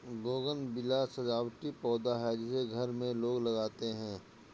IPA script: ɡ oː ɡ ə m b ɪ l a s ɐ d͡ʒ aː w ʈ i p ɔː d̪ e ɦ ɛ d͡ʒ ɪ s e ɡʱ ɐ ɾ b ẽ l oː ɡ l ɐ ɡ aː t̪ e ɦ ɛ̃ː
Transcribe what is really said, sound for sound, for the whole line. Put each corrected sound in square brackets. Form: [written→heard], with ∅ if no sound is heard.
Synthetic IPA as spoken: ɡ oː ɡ ə [m→n] b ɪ l a s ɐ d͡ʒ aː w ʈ i p ɔː d̪ [e→a] ɦ ɛ d͡ʒ ɪ s e ɡʱ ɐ ɾ [b→m] ẽ l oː ɡ l ɐ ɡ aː t̪ e ɦ ɛ̃ː